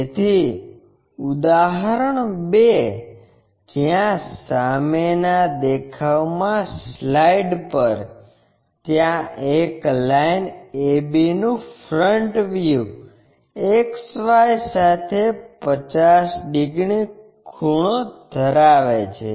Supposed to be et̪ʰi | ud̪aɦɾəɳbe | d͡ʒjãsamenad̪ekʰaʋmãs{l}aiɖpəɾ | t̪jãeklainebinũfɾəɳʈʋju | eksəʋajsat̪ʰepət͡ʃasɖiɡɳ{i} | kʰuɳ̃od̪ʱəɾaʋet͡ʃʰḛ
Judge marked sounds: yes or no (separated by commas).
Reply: yes, yes